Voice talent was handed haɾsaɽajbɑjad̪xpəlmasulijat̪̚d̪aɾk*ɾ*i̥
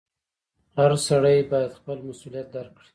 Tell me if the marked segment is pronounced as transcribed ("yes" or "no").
no